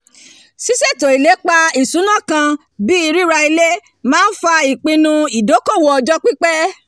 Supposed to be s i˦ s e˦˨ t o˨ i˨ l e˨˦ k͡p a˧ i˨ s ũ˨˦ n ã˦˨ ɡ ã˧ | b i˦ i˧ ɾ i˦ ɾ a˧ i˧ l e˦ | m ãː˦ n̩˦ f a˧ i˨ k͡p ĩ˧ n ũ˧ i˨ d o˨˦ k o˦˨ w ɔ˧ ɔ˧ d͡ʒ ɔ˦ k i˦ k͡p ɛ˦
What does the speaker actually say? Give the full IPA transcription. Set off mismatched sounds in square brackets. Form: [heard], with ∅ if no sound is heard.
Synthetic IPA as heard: s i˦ s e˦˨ t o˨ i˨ l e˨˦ k͡p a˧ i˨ s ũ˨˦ n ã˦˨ [k] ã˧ | b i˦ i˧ ɾ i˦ ɾ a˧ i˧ l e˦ | m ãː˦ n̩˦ f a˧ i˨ k͡p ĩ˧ n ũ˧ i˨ d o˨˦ k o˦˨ w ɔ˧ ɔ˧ d͡ʒ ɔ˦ [k͡p] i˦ k͡p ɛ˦